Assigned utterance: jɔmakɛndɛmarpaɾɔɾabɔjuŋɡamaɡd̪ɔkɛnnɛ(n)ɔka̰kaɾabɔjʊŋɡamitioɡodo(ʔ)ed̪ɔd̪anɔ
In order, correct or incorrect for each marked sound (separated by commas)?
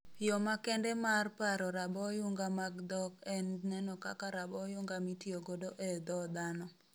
correct, correct